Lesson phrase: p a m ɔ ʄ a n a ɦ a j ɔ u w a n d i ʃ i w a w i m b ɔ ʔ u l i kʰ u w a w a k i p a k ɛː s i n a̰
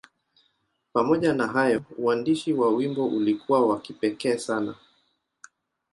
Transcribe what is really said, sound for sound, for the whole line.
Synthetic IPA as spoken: p a m ɔ ʄ a n a ɦ a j ɔ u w a n d i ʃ i w a w i m b ɔ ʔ u l i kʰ u w a w a k i p ɛ k ɛː s a n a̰

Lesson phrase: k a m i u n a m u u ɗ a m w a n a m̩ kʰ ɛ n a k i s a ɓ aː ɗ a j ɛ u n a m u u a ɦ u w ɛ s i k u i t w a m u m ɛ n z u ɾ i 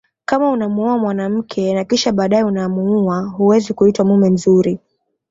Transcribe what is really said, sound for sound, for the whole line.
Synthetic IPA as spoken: k a m a u n a m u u a m w a n a m̩ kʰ ɛ n a k i ʃ a ɓ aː ɗ a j ɛ u n a m u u a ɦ u w ɛ z i k u i t w a m u m ɛ n z u ɾ i

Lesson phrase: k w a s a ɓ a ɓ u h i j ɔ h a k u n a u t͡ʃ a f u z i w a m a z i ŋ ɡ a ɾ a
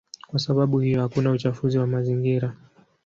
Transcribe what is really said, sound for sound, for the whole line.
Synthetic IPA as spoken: k w a s a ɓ a ɓ u h i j ɔ h a k u n a u t͡ʃ a f u z i w a m a z i ŋ ɡ i ɾ a

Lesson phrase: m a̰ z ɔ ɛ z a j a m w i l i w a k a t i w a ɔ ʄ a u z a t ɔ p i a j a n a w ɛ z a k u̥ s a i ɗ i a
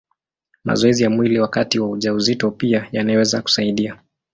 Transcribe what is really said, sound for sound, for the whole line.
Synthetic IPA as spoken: m a̰ z ɔ ɛ z i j a m w i l i w a k a t i w a u ʄ a u z i t ɔ p i a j a n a w ɛ z a k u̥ s a i ɗ i a

